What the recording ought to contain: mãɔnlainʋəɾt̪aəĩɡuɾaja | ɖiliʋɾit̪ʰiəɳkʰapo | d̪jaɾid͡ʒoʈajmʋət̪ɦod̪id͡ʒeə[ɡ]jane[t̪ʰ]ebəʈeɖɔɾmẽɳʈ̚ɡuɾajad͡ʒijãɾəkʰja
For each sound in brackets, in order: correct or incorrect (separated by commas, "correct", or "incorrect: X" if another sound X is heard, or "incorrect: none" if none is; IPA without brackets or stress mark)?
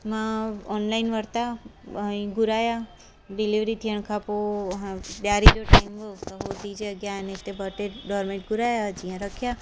correct, incorrect: t̪